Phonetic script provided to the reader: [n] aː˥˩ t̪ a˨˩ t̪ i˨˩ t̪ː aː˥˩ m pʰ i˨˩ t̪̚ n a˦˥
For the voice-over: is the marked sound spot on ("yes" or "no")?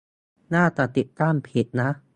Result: yes